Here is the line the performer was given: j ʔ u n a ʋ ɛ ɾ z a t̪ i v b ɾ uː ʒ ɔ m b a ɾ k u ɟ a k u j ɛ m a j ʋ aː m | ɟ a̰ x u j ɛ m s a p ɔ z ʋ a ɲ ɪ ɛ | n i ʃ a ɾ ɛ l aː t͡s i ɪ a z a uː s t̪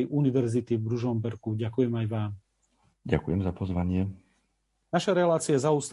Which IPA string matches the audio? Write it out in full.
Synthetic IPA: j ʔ u n i ʋ ɛ ɾ z i t̪ i v b ɾ u ʒ ɔ m b ɛ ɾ k u ɟ a k u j ɛ m a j ʋ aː m | ɟ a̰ k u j ɛ m z a p ɔ z ʋ a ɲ ɪ ɛ | n a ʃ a ɾ ɛ l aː t͡s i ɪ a z a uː s t̪